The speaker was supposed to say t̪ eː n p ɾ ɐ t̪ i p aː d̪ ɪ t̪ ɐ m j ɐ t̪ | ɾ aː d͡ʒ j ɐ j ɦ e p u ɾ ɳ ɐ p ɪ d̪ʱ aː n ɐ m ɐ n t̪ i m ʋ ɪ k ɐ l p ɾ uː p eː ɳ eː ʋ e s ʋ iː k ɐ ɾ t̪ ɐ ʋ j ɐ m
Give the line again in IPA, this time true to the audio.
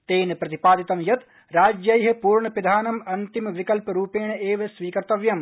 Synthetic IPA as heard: t̪ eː n p ɾ ɐ t̪ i p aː d̪ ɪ t̪ ɐ m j ɐ t̪ | ɾ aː d͡ʒ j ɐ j ɦ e p uː ɾ ɳ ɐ p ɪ d̪ʱ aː n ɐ m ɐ n t̪ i m ʋ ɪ k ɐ l p ɾ uː p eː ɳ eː ʋ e s ʋ iː k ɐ ɾ t̪ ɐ ʋ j ɐ m